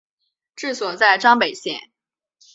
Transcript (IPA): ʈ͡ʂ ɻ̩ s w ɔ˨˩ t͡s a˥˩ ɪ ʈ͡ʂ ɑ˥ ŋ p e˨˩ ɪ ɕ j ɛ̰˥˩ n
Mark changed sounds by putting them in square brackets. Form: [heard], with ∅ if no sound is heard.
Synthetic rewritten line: ʈ͡ʂ ɻ̩ s w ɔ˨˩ t͡s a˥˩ ɪ ʈ͡ʂ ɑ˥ ŋ p e˨˩ ɪ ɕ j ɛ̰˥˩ n